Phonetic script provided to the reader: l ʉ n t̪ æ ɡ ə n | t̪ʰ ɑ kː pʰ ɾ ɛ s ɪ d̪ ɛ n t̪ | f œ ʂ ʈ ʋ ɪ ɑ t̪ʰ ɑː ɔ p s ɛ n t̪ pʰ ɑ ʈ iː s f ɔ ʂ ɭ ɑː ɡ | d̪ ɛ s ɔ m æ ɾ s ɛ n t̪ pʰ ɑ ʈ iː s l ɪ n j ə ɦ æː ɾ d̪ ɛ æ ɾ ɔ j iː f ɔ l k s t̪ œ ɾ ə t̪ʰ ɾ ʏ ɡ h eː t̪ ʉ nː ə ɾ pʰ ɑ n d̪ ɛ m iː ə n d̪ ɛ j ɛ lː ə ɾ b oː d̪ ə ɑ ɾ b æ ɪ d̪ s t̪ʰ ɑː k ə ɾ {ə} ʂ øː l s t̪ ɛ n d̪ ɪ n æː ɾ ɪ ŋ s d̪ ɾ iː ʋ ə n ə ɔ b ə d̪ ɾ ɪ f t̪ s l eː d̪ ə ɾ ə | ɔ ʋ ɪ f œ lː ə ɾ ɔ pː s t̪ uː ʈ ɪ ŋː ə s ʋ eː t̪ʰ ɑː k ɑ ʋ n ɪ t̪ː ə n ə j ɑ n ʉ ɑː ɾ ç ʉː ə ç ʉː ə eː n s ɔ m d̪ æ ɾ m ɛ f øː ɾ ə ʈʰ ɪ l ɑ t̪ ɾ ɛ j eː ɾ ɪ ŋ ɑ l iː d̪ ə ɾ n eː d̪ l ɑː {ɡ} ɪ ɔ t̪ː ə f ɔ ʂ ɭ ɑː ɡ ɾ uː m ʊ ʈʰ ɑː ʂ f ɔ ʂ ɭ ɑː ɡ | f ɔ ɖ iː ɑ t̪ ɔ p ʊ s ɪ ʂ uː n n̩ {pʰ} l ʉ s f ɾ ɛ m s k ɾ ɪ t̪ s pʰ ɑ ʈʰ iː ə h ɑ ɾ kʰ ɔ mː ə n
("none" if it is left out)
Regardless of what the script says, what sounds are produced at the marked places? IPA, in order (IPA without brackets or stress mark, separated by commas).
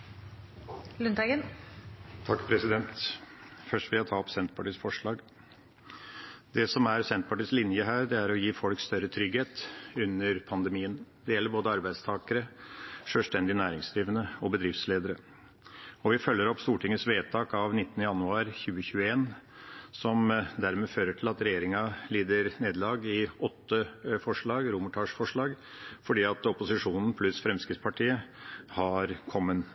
ə, ɡ, pʰ